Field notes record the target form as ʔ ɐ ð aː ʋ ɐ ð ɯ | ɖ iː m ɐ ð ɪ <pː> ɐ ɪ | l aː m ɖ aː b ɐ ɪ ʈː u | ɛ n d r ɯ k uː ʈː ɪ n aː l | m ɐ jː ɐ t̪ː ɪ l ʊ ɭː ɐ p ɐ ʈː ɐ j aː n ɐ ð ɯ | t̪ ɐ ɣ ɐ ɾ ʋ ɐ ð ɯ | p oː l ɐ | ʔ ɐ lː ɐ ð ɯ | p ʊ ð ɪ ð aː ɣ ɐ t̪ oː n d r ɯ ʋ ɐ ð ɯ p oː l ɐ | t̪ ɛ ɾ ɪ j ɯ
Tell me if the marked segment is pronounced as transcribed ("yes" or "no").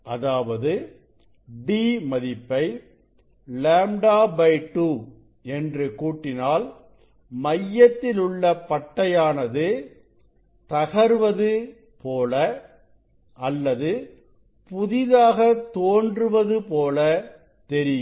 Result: yes